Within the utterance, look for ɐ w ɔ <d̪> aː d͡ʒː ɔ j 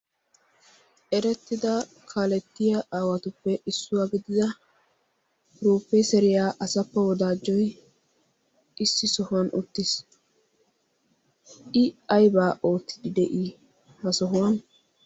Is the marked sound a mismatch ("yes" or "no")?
no